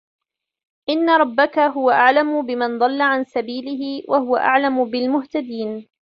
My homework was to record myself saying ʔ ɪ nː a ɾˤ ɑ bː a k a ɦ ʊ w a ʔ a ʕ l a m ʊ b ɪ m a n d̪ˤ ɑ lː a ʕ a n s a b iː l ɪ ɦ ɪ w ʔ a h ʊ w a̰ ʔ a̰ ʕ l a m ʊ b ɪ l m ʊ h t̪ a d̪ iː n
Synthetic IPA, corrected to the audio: ʔ ɪ nː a ɾˤ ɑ bː a k a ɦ ʊ w a ʔ a ʕ l a m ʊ b ɪ m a n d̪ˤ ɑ lː a ʕ a n s a b iː l ɪ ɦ ɪ w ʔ a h ʊ w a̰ ʔ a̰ ʕ l a m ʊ b ɪ l m ʊ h t̪ a d̪ iː n